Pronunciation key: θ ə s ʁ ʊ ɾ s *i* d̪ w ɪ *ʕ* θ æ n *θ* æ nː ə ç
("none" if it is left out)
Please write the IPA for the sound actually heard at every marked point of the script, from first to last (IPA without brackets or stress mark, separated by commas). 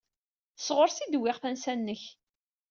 i, ʁ, s